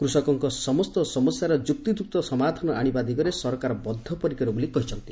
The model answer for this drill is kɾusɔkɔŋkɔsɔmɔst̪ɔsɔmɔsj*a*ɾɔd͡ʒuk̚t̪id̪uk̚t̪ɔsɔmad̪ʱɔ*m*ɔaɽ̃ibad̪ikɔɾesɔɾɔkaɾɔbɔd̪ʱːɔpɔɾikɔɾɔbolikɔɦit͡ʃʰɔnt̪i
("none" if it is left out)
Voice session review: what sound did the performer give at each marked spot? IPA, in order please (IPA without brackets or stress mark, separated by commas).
a, n